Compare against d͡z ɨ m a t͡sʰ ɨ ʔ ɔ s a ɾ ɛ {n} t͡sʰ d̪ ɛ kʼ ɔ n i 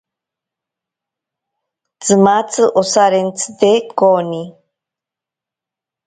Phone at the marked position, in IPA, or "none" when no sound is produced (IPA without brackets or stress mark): n